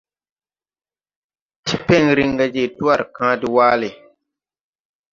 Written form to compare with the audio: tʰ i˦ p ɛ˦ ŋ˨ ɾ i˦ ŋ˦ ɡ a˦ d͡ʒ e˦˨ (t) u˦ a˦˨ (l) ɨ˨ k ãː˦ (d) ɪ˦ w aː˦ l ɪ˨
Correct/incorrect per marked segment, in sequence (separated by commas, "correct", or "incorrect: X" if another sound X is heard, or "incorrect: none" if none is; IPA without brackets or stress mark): correct, incorrect: ɾ, correct